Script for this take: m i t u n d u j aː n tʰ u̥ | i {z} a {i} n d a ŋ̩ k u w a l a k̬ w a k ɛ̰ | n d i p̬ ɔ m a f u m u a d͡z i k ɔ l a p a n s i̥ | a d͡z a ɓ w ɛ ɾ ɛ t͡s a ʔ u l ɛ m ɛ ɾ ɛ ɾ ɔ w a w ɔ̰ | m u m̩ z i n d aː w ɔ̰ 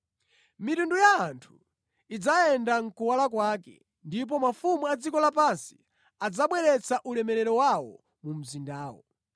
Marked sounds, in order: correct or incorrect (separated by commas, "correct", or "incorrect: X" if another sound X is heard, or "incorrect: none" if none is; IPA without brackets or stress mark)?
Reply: incorrect: d͡z, incorrect: ɛ